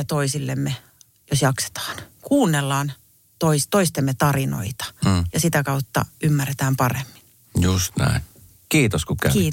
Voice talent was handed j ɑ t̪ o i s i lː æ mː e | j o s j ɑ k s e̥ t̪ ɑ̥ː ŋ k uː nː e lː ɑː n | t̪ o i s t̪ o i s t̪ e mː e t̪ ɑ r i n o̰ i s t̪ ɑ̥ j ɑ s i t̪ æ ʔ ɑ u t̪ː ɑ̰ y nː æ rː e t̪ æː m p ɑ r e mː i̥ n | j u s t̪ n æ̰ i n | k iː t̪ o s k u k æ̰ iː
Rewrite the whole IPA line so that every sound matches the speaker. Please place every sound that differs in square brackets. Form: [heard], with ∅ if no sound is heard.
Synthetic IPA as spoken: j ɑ t̪ o i s i lː [e] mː e | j o s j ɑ k s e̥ t̪ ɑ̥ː [n] k uː nː e lː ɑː n | t̪ o i s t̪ o i s t̪ e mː e t̪ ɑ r i n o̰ i [∅] t̪ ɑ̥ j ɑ s i t̪ æ [k] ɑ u t̪ː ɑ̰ y [mː] æ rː e t̪ æː m p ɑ r e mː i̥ n | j u s t̪ n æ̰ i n | k iː t̪ o s k u k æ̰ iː